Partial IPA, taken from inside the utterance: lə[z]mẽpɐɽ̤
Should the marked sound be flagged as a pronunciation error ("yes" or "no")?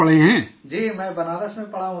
yes